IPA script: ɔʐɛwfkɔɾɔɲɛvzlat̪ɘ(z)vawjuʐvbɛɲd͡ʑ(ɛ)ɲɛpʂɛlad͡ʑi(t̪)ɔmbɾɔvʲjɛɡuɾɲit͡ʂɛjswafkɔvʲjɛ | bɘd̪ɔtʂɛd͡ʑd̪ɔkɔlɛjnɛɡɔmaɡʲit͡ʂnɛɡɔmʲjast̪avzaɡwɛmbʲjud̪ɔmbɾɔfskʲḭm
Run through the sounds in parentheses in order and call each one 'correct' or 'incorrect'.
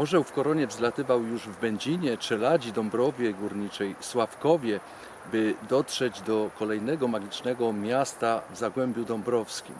incorrect: none, incorrect: i, incorrect: d̪

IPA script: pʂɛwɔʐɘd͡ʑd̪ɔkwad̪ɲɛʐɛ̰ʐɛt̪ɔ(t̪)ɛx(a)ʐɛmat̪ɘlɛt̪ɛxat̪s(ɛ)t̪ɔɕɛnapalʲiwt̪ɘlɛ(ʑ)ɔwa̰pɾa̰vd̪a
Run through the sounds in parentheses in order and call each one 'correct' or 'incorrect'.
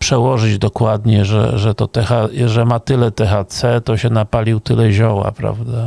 correct, correct, correct, correct

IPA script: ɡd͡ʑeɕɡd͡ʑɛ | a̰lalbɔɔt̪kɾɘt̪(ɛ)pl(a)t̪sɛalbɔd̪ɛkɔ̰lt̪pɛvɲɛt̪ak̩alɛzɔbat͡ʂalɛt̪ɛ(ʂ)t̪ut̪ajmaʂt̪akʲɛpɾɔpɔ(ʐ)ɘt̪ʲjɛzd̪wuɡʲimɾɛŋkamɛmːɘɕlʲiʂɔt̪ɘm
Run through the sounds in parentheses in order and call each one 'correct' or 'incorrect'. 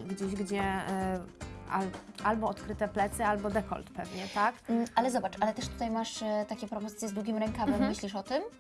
correct, incorrect: ɛ, correct, incorrect: z

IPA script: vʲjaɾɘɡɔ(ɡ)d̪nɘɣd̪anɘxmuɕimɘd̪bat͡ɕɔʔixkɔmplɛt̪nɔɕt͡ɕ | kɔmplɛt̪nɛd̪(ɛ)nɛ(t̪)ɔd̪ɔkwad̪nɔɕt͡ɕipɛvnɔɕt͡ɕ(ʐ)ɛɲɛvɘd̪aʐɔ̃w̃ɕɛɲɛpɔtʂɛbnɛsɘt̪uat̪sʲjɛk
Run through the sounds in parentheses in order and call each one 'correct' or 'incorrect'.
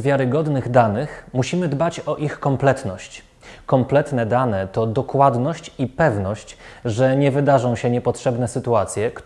incorrect: none, incorrect: a, correct, correct

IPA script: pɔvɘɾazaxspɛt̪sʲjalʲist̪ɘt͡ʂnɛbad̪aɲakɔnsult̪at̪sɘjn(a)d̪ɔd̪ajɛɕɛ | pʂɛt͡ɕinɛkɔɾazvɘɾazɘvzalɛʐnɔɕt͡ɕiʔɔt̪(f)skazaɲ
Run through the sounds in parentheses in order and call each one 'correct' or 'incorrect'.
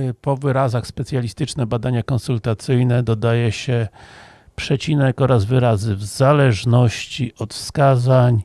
incorrect: ɛ, correct

